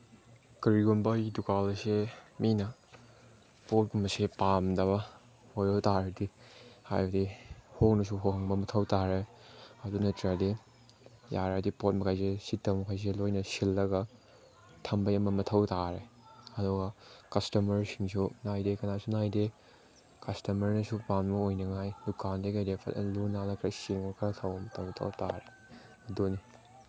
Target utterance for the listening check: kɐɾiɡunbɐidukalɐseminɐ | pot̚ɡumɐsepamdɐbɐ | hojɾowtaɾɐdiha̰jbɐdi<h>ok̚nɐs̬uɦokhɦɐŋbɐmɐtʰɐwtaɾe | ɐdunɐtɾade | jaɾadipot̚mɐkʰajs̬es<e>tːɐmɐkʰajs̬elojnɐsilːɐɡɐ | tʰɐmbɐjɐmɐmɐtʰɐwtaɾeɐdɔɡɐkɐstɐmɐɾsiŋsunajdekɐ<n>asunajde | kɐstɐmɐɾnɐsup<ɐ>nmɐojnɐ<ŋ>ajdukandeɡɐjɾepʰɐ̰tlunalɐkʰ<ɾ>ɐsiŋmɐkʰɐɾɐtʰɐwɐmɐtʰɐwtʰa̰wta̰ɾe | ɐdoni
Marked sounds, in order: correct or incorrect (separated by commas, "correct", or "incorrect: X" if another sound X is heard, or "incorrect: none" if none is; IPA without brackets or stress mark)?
correct, incorrect: i, correct, incorrect: a, correct, correct